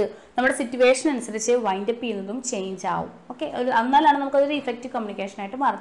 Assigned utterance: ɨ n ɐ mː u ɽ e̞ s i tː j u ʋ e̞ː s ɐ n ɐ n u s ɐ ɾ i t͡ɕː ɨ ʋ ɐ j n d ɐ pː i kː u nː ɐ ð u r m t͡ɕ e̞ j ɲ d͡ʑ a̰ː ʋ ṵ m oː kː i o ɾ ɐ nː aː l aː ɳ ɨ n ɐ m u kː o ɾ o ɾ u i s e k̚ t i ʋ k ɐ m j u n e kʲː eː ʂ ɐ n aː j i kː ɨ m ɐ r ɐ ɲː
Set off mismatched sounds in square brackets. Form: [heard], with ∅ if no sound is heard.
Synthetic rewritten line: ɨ n ɐ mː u ɽ e̞ s i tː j u ʋ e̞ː [ʂ] ɐ n ɐ n u s ɐ ɾ i t͡ɕː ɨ ʋ ɐ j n d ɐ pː i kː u nː ɐ ð u [∅] m t͡ɕ e̞ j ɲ d͡ʑ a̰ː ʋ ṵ m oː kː [e] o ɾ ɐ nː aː l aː ɳ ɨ n ɐ m u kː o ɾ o ɾ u i [f] e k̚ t i ʋ k ɐ m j u n [i] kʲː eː ʂ ɐ n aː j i [ʈː] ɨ m ɐ r ɐ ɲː